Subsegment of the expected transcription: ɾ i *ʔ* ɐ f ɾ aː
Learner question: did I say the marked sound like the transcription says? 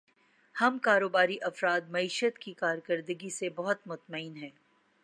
yes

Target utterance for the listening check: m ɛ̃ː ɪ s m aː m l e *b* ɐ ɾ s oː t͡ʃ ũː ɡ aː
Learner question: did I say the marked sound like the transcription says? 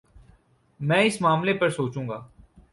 no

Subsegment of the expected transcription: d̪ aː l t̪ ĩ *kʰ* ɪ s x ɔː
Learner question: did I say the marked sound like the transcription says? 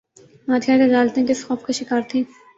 no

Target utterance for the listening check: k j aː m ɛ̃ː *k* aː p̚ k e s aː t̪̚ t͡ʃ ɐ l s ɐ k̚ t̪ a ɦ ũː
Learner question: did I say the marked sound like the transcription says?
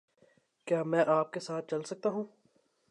no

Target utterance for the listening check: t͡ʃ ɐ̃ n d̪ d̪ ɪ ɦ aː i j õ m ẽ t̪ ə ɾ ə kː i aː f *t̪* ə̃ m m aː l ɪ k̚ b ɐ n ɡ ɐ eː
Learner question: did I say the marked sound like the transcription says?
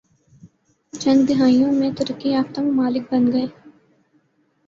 yes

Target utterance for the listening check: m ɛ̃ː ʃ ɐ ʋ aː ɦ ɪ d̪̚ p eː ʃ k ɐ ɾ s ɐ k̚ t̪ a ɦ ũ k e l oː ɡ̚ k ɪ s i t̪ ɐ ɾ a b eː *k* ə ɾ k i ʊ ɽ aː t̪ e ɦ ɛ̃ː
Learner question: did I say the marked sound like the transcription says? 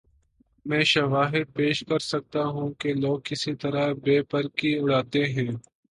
no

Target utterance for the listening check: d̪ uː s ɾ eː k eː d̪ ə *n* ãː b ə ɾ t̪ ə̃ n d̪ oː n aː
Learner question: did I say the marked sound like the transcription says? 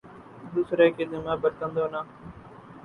no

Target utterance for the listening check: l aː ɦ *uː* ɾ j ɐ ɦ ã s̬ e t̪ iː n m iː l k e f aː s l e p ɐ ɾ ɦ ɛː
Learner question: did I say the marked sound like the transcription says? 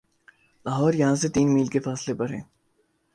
no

